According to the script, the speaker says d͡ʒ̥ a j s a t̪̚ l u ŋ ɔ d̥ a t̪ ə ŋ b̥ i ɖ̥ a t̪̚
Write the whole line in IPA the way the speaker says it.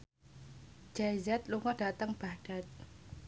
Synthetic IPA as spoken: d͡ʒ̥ a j z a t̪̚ l u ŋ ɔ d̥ a t̪ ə ŋ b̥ a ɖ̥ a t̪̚